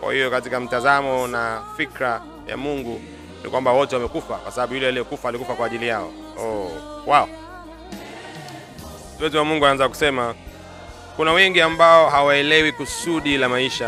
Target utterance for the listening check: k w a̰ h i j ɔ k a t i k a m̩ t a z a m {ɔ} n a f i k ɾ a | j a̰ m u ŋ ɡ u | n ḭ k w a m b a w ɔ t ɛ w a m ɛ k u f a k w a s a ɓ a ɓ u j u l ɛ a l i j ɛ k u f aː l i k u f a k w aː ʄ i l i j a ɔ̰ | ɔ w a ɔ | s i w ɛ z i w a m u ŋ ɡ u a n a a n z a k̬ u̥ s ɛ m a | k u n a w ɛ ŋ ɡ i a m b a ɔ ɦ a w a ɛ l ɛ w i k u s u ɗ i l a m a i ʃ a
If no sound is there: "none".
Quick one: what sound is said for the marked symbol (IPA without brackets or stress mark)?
ɔ